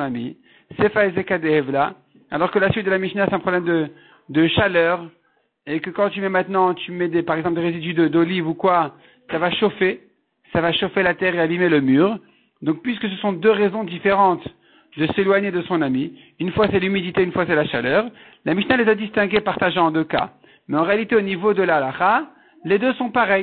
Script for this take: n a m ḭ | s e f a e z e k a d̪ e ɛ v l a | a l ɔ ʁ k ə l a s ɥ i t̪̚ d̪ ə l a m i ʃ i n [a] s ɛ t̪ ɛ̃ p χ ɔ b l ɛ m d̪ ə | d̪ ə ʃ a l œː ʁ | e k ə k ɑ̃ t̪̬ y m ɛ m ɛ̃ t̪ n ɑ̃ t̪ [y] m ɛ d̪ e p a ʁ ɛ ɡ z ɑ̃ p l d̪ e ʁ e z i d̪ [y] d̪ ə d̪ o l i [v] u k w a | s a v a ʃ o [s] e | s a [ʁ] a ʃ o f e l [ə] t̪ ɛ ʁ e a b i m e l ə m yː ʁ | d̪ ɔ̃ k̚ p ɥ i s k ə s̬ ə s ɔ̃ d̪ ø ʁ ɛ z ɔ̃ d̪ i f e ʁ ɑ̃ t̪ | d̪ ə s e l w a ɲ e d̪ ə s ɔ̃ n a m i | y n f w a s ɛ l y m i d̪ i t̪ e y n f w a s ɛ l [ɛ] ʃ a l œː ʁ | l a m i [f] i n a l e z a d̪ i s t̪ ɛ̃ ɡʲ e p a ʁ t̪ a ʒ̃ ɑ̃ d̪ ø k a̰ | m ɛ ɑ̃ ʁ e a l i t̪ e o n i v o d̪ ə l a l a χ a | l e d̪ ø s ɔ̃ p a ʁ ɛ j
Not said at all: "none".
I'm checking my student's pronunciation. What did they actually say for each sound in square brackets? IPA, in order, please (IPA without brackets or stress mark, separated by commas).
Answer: a, y, y, v, f, v, a, a, ʃ